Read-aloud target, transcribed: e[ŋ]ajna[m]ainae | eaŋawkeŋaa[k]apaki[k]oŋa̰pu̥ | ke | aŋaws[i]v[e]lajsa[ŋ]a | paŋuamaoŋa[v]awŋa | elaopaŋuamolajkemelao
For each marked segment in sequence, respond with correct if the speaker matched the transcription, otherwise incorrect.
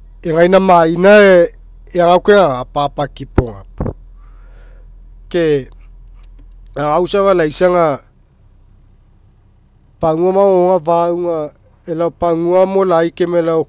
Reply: correct, correct, incorrect, incorrect, incorrect, incorrect, correct, correct

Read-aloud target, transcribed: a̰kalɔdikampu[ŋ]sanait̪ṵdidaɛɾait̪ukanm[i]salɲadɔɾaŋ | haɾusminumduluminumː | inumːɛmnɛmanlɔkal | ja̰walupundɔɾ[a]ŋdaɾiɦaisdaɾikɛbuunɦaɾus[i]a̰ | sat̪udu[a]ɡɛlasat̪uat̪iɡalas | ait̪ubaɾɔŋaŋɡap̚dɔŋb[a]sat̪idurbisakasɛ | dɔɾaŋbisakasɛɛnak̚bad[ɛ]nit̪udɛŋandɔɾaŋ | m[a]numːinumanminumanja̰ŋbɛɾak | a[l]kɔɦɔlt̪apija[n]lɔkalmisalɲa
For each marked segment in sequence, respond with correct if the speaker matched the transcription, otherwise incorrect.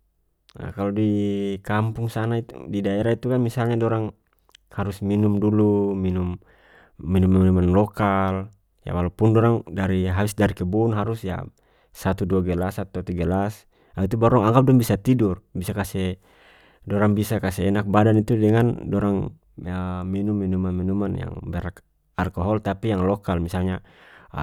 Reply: correct, correct, correct, incorrect, correct, incorrect, incorrect, incorrect, correct, incorrect

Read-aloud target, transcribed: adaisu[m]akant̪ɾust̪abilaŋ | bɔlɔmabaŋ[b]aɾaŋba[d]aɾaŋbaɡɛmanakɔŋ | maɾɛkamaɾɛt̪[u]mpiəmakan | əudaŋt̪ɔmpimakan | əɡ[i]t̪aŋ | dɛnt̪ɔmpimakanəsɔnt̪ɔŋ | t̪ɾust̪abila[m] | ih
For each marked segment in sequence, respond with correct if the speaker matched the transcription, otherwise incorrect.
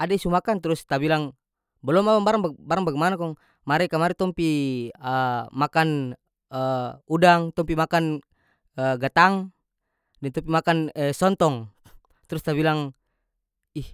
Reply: correct, correct, incorrect, incorrect, incorrect, incorrect

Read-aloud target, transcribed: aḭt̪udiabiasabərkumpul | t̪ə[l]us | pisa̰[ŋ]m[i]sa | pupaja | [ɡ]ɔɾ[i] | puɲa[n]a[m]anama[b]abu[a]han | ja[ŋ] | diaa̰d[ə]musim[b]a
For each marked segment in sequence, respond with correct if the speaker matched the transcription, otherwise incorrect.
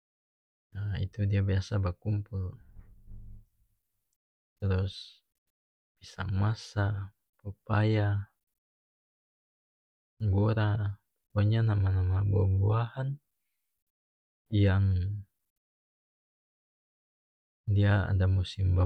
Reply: incorrect, correct, incorrect, correct, incorrect, correct, correct, correct, correct, correct, incorrect, correct

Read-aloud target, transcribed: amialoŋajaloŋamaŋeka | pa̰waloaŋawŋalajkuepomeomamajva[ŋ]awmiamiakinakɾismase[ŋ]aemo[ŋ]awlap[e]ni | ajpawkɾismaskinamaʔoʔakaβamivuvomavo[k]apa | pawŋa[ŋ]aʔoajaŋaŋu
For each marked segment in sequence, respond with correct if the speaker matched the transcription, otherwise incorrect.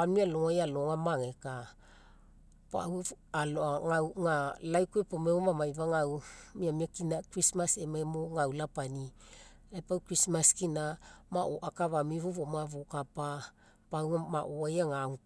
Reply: correct, incorrect, correct, incorrect, correct, incorrect

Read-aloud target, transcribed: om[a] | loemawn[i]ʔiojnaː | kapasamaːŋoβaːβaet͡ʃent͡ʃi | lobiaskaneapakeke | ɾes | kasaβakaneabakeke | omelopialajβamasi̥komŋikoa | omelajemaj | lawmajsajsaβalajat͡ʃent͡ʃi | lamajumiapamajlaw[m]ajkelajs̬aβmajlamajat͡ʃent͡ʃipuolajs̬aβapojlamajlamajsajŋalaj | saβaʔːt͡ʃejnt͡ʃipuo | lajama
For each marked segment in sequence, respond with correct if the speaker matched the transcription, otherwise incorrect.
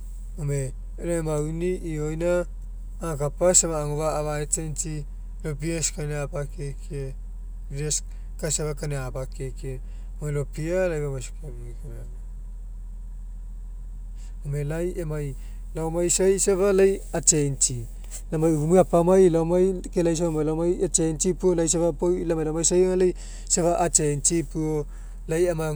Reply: incorrect, correct, correct

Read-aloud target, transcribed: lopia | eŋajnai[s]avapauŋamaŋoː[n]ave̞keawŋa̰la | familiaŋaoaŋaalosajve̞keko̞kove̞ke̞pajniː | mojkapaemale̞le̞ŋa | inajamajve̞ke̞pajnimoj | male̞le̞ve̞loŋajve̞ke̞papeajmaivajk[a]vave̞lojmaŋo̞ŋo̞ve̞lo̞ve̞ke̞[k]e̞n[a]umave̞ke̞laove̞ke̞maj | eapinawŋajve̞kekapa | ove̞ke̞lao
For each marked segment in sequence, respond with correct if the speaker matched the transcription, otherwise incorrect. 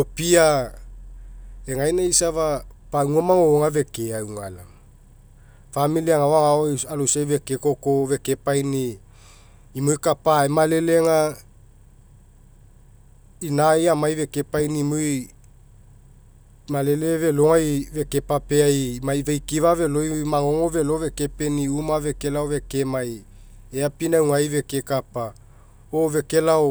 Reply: correct, incorrect, incorrect, incorrect, incorrect

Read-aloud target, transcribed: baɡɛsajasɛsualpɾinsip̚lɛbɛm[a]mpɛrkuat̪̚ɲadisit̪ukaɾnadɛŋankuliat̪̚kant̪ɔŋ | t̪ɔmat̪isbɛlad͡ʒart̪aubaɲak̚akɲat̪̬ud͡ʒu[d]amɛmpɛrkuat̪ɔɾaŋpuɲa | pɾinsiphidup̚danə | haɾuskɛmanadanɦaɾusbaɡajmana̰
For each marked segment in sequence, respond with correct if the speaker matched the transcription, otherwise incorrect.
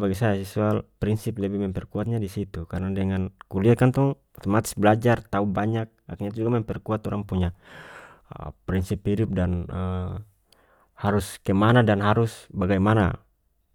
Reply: incorrect, incorrect

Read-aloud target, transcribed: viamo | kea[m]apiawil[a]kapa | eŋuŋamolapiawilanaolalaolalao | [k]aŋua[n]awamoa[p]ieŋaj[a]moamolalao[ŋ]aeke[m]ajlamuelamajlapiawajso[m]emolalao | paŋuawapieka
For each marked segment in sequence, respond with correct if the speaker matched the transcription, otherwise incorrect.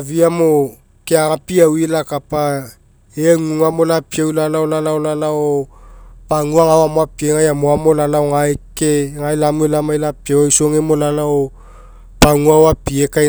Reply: incorrect, correct, incorrect, incorrect, correct, correct, correct, incorrect, incorrect

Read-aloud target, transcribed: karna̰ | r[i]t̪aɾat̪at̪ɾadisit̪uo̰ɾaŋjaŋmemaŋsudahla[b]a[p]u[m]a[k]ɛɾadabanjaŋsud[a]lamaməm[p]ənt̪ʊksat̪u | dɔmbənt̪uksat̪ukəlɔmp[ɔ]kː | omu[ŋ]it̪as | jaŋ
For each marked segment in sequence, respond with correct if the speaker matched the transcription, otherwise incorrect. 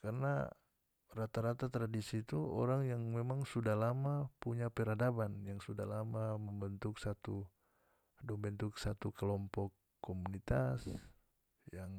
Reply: incorrect, incorrect, correct, incorrect, incorrect, correct, incorrect, correct, incorrect

